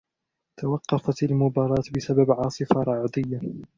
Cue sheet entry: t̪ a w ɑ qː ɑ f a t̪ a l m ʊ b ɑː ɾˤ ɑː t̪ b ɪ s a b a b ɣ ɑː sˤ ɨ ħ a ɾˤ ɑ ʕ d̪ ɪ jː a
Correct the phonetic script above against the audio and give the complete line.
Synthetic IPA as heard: t̪ a w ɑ qː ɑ f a t̪ a l m ʊ b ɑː ɾˤ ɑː t̪ b ɪ s a b a b ʕ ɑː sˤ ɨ f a ɾˤ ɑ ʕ d̪ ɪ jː a